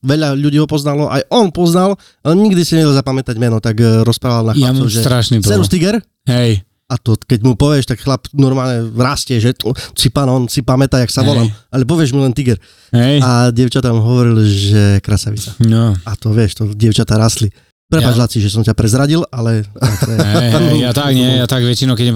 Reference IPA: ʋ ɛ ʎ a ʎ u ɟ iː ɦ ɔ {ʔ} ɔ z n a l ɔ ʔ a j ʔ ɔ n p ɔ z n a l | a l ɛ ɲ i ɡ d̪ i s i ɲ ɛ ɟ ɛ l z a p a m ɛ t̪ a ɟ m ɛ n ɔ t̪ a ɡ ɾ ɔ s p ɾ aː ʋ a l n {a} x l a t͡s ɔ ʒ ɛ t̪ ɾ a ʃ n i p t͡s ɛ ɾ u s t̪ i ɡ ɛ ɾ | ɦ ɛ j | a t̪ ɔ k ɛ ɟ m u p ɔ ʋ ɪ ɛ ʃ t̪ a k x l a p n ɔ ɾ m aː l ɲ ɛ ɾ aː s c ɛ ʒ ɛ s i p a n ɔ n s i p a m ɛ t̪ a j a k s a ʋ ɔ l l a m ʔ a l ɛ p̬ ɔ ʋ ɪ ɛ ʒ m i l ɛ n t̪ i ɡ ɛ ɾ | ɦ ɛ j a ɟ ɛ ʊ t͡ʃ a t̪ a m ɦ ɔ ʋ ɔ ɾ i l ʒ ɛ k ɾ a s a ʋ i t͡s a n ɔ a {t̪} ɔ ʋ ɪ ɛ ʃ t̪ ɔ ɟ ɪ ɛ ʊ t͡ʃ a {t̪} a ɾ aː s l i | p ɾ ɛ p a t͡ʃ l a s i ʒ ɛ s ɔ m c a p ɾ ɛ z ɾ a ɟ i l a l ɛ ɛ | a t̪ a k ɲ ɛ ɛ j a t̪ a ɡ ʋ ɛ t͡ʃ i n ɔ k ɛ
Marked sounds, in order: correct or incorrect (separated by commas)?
incorrect, correct, correct, correct